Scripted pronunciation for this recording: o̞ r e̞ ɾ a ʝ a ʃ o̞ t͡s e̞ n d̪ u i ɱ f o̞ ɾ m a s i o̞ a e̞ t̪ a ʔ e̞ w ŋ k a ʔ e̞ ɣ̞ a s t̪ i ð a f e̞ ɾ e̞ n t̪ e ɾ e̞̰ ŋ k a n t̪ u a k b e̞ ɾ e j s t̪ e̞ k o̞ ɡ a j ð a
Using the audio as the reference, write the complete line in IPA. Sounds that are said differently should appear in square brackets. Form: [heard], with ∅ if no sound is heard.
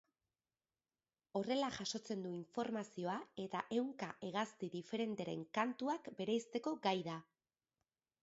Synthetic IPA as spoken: o̞ r e̞ [l] a ʝ a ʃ o̞ t͡s e̞ n d̪ u i ɱ f o̞ ɾ m a s i o̞ a e̞ t̪ a ʔ e̞ w ŋ k a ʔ e̞ ɣ̞ a s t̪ i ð [i] f e̞ ɾ e̞ n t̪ e ɾ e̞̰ ŋ k a n t̪ u a k b e̞ ɾ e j s t̪ e̞ k o̞ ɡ a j ð a